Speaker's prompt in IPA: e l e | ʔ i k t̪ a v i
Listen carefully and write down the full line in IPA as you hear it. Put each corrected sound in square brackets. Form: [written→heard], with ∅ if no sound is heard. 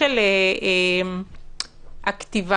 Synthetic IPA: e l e | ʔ [i→a] k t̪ [a→i] v [i→a]